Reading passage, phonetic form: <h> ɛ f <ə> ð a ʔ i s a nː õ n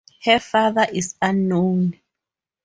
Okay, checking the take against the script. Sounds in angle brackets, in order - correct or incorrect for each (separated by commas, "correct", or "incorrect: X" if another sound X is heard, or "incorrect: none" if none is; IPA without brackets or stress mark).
correct, incorrect: a